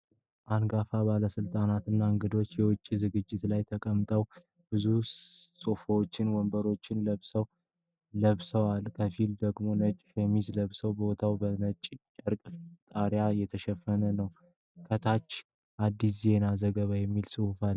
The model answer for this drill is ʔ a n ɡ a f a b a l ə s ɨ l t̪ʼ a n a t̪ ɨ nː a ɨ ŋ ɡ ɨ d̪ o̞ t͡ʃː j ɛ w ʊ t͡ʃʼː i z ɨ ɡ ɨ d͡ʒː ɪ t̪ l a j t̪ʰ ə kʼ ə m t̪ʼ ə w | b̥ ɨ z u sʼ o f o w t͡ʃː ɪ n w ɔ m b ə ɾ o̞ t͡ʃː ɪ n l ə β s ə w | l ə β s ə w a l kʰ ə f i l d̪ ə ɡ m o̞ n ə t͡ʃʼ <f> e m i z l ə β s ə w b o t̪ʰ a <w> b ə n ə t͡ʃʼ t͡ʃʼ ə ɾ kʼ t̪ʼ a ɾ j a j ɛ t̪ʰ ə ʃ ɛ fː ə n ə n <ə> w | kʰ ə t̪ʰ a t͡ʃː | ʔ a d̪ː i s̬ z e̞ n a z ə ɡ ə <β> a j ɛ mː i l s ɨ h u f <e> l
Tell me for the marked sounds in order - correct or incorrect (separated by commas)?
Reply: correct, correct, correct, correct, incorrect